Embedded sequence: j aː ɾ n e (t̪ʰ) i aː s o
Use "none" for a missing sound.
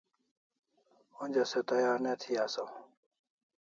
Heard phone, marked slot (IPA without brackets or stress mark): t̪ʰ